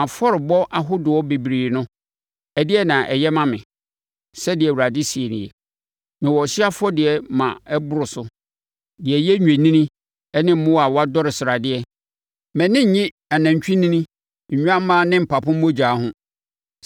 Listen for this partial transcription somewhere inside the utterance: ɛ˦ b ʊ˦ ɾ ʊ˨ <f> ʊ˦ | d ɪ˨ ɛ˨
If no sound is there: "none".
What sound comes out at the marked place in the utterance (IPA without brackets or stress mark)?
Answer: s